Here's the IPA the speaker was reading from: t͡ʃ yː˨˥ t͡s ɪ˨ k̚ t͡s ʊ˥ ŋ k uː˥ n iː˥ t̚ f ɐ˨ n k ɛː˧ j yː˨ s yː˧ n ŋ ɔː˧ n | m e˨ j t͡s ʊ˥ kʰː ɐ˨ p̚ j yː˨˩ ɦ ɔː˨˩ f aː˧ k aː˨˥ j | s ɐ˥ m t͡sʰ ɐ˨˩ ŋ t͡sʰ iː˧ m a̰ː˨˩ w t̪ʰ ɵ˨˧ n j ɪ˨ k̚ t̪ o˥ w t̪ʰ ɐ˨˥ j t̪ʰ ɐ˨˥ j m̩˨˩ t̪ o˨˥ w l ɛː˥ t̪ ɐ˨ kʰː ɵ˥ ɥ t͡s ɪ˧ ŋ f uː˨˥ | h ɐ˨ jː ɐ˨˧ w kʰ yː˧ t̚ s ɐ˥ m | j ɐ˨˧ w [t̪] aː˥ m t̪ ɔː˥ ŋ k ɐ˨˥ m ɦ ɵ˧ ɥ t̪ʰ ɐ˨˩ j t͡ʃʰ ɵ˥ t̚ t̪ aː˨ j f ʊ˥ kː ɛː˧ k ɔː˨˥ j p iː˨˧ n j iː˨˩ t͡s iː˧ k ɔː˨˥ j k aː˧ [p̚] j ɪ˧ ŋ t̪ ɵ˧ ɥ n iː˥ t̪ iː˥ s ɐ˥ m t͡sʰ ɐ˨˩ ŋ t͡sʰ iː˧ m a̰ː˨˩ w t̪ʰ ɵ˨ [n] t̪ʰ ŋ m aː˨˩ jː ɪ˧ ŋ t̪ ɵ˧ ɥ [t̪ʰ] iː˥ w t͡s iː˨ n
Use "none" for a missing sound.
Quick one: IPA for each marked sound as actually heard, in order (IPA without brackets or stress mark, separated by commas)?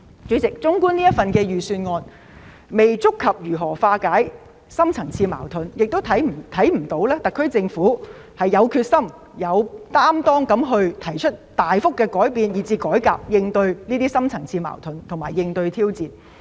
t̪, p̚, n, t̪ʰ